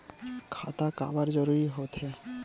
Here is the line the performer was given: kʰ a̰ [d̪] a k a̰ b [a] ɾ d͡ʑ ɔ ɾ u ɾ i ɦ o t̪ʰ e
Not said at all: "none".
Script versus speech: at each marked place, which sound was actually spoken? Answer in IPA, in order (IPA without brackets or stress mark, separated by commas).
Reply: t̪, a